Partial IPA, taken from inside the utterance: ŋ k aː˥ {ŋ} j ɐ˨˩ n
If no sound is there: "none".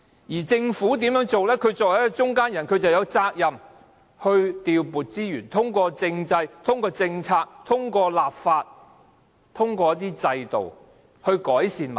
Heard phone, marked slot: n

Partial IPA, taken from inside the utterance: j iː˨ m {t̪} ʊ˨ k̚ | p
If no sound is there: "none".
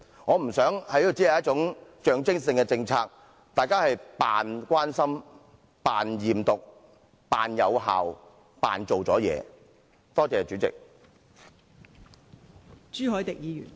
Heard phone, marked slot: t̪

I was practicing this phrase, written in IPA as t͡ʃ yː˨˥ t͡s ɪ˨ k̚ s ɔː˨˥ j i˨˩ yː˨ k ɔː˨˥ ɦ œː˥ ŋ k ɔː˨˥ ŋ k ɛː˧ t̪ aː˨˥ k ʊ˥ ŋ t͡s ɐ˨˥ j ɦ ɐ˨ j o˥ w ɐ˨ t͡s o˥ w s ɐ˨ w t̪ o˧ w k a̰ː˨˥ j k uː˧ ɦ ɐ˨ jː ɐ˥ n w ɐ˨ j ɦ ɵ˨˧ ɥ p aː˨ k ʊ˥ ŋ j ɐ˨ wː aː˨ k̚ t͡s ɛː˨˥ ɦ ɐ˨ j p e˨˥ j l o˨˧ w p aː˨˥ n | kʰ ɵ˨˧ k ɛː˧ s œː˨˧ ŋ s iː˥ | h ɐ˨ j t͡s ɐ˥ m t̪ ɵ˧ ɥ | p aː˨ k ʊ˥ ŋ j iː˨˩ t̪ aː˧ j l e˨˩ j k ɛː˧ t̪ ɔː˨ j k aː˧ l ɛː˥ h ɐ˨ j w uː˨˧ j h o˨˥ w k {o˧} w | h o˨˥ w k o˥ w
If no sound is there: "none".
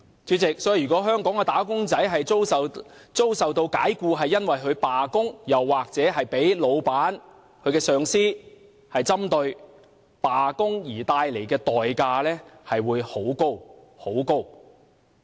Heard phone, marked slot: o˥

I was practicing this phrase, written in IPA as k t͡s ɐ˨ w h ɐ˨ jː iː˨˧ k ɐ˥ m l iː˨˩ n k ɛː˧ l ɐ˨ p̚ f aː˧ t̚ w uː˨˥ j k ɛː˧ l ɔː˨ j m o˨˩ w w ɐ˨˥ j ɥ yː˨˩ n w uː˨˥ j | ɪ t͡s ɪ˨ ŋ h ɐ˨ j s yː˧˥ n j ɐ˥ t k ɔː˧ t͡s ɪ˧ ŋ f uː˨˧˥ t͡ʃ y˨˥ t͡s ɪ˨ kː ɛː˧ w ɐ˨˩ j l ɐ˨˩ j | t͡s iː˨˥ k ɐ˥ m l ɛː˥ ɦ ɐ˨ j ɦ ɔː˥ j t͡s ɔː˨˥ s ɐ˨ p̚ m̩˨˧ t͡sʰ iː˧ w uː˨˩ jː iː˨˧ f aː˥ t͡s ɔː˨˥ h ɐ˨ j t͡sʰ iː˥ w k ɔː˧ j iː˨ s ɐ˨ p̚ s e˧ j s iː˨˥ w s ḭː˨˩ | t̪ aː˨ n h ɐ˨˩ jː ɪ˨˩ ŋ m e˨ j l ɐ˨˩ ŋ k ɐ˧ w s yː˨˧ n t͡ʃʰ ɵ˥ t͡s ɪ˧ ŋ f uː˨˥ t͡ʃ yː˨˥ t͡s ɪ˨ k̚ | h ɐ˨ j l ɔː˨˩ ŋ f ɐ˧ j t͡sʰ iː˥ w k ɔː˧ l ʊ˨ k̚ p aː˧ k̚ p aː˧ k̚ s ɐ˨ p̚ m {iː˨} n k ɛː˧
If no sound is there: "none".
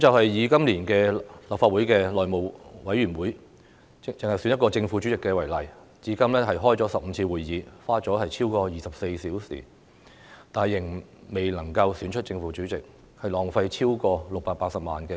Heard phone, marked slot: aː˨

